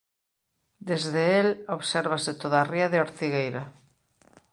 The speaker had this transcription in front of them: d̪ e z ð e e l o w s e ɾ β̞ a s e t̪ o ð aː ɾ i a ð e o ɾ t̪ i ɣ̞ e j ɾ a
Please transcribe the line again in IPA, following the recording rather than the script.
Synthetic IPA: d̪ e z ð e e l o β s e ɾ β̞ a s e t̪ o ð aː r i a ð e o ɾ t̪ i ɣ̞ e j ɾ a